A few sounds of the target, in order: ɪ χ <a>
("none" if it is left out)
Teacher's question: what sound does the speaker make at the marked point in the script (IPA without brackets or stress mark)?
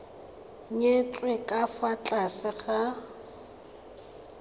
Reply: a